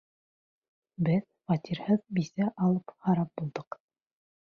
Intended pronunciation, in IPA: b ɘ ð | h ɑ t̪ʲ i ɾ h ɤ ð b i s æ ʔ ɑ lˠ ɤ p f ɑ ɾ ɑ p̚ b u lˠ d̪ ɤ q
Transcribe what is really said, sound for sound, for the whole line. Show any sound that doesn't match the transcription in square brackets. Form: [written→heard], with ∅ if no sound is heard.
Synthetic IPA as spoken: b ɘ ð | [h→f] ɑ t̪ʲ i ɾ h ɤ ð b i s æ ʔ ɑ lˠ ɤ p [f→h] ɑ ɾ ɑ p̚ b u lˠ d̪ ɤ q

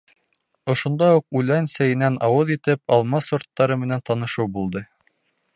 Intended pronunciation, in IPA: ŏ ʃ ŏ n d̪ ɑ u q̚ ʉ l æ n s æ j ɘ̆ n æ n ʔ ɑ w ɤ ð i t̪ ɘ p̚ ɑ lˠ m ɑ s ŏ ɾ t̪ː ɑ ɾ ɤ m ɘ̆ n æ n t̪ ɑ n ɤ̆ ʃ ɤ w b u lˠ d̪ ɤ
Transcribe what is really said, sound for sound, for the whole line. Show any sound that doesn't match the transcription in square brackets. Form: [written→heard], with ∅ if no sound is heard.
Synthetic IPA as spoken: ŏ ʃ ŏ n d̪ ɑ u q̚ ʉ l æ n s æ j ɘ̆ n æ n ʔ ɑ w ɤ ð i t̪ ɘ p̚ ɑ lˠ m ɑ s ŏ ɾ t̪ː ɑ ɾ ɤ m ɘ̆ n æ n t̪ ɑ n ɤ̆ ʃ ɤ w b u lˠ d̪ ɤ

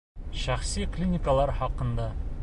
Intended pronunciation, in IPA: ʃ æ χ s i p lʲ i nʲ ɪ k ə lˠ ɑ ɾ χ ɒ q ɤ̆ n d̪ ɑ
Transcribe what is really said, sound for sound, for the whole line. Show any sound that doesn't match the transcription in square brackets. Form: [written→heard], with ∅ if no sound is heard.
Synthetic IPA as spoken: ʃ æ χ s i [p→k] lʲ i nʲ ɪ k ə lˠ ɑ ɾ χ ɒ q ɤ̆ n d̪ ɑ

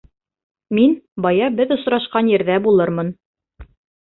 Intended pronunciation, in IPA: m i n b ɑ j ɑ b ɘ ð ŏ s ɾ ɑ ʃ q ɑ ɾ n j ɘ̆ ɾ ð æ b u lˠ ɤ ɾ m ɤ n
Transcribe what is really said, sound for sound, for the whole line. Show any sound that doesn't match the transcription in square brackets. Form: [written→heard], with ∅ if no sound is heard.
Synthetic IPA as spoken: m i n b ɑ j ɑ b ɘ ð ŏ s ɾ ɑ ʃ q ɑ [ɾ→∅] n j ɘ̆ ɾ ð æ b u lˠ ɤ ɾ m ɤ n

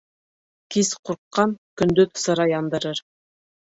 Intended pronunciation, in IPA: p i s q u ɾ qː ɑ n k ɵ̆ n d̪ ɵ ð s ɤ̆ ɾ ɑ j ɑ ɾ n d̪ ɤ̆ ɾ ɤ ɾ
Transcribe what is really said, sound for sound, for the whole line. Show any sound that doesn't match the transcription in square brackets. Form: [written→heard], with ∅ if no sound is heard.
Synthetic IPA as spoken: [p→k] i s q u ɾ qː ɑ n k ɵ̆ n d̪ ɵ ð s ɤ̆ ɾ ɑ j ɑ [ɾ→∅] n d̪ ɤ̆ ɾ ɤ ɾ

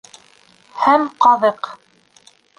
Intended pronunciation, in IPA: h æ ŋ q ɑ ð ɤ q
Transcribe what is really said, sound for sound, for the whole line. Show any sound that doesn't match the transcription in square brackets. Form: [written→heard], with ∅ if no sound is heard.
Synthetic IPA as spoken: h æ [ŋ→m] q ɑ ð ɤ q

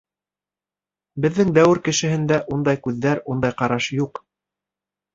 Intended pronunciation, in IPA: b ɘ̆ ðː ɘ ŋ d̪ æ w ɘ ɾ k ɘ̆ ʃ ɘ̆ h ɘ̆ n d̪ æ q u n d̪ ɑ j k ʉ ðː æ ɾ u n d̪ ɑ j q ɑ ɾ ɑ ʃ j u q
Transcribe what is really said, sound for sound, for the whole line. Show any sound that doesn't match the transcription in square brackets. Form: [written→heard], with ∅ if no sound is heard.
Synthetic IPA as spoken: b ɘ̆ ðː ɘ ŋ d̪ æ w ɘ ɾ k ɘ̆ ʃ ɘ̆ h ɘ̆ n d̪ æ [q→ʔ] u n d̪ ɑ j k ʉ ðː æ ɾ u n d̪ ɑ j q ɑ ɾ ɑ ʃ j u q

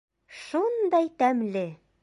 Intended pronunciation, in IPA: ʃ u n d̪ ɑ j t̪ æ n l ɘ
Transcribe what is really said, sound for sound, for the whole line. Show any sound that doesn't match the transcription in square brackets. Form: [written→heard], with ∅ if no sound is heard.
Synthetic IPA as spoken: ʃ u n d̪ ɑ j t̪ æ [n→m] l ɘ

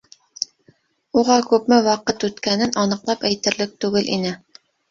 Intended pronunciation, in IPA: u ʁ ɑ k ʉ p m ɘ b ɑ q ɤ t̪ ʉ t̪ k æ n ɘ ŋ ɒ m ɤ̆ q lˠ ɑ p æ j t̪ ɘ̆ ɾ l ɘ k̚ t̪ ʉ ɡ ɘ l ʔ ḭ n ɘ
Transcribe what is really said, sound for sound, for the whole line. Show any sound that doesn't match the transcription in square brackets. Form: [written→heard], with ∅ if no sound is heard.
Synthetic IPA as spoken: u ʁ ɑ k ʉ p m ɘ [b→w] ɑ q ɤ t̪ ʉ t̪ k æ n ɘ [ŋ→n] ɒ [m→n] ɤ̆ q lˠ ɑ p æ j t̪ ɘ̆ ɾ l ɘ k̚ t̪ ʉ ɡ ɘ l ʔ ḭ n ɘ

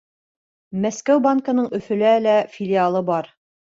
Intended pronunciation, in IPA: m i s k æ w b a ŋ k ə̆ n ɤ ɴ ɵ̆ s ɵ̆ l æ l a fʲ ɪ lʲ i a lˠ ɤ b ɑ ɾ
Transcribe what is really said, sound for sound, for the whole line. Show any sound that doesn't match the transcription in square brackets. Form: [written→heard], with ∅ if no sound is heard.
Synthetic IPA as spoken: m [i→æ] s k æ w b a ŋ k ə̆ n ɤ ɴ ɵ̆ [s→f] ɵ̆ l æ l [a→æ] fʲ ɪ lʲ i a lˠ ɤ b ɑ ɾ

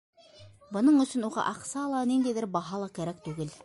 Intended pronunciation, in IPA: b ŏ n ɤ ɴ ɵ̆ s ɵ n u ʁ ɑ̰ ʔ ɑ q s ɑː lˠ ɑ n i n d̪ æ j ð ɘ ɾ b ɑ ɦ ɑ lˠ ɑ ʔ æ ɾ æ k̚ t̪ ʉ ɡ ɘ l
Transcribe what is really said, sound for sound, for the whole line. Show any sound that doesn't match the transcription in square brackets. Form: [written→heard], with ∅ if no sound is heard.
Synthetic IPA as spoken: b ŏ n ɤ ɴ ɵ̆ s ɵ n u ʁ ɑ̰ ʔ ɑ q s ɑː lˠ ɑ n i n d̪ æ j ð ɘ ɾ b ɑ ɦ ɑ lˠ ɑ [ʔ→k] æ ɾ æ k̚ t̪ ʉ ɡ ɘ l

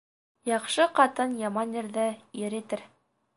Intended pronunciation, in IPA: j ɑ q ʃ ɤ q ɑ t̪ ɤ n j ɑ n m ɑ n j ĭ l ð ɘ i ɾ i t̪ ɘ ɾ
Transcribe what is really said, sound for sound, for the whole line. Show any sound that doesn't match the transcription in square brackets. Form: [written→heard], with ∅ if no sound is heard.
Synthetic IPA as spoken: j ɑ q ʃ ɤ q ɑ t̪ ɤ n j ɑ [n→∅] m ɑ n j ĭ [l→ɾ] ð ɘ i ɾ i t̪ ɘ ɾ

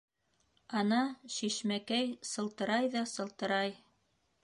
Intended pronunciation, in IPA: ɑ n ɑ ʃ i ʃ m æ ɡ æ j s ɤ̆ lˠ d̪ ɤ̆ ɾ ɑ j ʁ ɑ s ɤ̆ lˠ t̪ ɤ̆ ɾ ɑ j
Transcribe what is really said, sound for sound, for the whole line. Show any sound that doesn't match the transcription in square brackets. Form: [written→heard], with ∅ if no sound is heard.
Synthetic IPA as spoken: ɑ n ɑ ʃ i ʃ m æ [ɡ→k] æ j s ɤ̆ lˠ [d̪→t̪] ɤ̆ ɾ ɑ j [ʁ→ð] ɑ s ɤ̆ lˠ t̪ ɤ̆ ɾ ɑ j

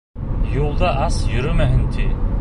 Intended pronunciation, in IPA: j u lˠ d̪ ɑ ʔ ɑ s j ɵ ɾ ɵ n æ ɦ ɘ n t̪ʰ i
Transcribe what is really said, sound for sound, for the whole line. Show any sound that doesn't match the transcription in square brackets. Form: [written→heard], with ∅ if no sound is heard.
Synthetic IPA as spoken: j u lˠ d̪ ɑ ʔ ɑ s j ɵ ɾ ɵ [n→m] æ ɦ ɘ n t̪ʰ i

